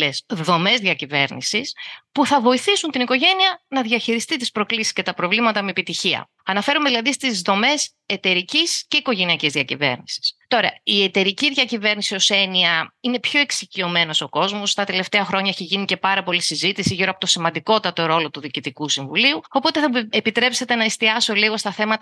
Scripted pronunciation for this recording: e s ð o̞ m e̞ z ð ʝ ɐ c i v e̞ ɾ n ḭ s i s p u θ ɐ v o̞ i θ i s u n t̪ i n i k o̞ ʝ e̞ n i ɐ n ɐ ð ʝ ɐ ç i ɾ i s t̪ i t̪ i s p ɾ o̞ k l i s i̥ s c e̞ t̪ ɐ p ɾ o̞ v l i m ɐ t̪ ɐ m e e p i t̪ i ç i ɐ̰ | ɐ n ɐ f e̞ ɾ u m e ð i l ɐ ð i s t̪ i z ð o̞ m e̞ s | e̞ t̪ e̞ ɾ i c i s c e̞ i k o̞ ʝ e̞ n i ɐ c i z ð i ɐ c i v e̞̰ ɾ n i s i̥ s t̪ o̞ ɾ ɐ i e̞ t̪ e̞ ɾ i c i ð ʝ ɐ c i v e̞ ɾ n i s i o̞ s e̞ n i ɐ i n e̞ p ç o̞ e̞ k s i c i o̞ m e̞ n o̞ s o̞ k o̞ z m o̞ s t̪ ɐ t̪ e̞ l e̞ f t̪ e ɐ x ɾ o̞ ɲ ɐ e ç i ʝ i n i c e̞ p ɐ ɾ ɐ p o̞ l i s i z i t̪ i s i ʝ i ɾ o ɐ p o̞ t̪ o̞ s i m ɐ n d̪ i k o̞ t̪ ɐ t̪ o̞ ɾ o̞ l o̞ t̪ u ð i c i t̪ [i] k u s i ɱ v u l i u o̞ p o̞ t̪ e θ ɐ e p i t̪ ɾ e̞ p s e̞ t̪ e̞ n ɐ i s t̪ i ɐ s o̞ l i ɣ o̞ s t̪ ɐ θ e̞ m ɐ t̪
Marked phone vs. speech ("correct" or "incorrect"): correct